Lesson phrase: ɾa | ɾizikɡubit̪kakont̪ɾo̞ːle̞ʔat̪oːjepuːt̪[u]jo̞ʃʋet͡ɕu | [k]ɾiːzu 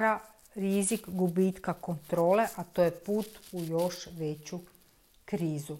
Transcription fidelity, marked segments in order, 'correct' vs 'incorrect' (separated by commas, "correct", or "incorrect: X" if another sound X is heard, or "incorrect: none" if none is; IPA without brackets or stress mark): correct, correct